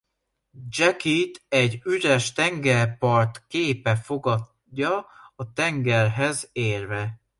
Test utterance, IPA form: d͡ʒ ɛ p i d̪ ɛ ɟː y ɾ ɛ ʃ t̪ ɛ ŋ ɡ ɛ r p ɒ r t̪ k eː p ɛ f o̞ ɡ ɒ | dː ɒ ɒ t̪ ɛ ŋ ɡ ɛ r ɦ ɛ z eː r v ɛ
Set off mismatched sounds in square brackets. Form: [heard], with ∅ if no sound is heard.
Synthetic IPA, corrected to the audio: d͡ʒ ɛ [k] i [t̪] ɛ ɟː y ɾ ɛ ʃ t̪ ɛ ŋ ɡ ɛ r p ɒ r t̪ k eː p ɛ f o̞ ɡ ɒ | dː ɒ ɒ t̪ ɛ ŋ ɡ ɛ r ɦ ɛ z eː r v ɛ